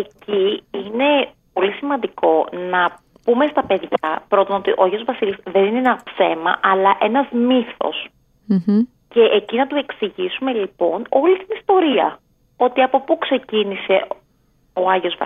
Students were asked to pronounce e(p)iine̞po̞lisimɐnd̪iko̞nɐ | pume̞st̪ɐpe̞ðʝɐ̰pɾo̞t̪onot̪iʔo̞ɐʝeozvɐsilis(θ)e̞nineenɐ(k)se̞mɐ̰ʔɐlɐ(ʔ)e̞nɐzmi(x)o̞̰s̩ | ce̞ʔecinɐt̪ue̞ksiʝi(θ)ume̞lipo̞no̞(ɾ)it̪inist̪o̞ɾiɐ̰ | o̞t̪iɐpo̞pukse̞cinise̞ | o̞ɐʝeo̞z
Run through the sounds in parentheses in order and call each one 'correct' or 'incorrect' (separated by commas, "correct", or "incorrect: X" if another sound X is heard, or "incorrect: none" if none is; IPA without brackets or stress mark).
incorrect: c, incorrect: ð, incorrect: p, correct, incorrect: θ, incorrect: s, incorrect: l